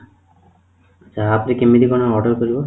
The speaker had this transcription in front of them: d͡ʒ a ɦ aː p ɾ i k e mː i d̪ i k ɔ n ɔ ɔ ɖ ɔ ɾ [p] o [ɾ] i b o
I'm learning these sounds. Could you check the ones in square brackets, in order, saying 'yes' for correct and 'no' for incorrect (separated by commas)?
no, yes